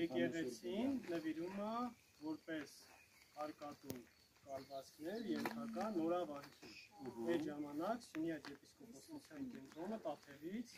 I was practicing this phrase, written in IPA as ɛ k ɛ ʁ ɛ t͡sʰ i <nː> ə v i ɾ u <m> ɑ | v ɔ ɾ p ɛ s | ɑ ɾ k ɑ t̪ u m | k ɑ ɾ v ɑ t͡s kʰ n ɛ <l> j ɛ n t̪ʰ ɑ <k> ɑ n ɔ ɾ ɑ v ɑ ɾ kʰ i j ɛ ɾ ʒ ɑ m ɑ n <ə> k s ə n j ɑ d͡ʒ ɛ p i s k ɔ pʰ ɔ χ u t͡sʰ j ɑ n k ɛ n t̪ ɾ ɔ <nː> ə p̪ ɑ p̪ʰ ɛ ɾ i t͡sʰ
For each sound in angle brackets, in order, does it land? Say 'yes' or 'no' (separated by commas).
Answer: yes, yes, no, yes, no, no